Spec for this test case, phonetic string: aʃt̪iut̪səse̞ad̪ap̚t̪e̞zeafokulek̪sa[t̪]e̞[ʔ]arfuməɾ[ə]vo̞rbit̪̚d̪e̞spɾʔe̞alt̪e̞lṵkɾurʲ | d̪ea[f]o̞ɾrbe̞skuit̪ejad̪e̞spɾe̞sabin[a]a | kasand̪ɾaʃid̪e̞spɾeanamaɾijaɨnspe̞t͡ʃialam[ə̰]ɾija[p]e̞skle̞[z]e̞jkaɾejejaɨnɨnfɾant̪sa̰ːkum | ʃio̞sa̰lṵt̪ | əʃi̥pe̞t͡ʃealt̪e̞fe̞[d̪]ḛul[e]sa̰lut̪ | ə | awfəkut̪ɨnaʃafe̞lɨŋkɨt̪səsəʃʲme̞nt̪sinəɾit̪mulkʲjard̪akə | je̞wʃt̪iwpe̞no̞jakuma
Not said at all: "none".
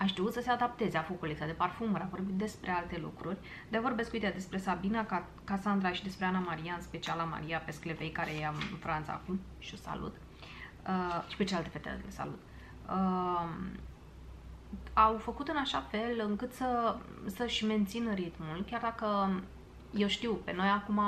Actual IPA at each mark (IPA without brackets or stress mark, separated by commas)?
d̪, p, a, v, a, a̰, p, v, t̪, e